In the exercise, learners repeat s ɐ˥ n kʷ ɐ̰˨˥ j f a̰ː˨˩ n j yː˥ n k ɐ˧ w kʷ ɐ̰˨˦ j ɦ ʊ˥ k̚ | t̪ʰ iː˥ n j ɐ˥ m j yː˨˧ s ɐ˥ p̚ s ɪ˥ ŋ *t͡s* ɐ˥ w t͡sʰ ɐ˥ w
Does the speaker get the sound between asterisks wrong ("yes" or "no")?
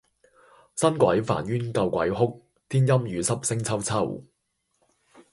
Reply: yes